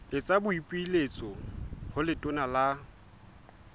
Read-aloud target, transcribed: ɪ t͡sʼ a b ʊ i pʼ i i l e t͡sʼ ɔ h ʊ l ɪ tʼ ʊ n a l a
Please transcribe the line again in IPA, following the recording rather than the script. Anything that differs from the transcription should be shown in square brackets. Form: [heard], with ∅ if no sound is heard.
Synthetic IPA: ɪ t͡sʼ a b ʊ i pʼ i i l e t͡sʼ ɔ h ʊ l ɪ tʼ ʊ n a l a